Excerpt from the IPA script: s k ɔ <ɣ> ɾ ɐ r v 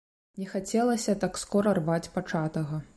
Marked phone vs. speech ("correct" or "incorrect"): incorrect